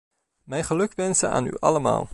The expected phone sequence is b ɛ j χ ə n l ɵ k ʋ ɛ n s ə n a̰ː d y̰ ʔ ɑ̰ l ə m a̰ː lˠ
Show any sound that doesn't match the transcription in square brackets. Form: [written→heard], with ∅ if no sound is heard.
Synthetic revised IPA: [b→m] ɛ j χ ə [n→∅] l ɵ k ʋ ɛ n s ə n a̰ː [d→n] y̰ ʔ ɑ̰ l ə m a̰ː lˠ